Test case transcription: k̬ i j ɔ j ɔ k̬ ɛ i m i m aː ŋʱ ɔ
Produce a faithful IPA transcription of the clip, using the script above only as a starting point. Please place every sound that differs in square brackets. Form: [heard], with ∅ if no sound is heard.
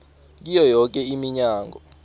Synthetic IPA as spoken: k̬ i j ɔ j ɔ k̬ ɛ i m i [ɲ] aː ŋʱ ɔ